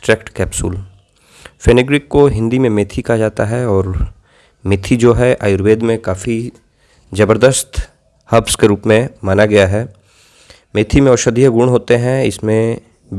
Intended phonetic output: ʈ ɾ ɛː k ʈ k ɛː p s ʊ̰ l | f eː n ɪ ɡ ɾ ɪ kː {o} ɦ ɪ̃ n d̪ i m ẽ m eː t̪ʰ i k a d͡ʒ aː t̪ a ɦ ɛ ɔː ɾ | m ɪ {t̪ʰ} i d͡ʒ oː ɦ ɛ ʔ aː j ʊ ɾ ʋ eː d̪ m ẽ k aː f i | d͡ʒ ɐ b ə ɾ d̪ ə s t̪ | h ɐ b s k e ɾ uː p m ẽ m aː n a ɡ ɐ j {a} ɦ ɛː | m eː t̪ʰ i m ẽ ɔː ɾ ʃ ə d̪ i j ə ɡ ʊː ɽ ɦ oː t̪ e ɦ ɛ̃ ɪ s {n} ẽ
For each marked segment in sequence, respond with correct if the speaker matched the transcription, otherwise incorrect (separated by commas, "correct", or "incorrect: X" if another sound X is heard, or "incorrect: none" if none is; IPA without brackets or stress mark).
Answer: correct, correct, correct, incorrect: m